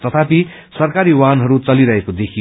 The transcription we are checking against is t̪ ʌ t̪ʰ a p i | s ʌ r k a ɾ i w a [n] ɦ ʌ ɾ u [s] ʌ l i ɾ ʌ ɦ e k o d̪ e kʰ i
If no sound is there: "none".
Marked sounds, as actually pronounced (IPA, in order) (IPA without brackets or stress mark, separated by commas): n, t͡s